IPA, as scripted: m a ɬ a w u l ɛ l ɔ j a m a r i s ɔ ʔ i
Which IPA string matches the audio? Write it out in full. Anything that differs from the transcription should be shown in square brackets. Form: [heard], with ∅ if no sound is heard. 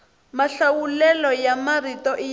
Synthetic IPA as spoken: m a ɬ a w u l ɛ l ɔ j a m a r i [t] ɔ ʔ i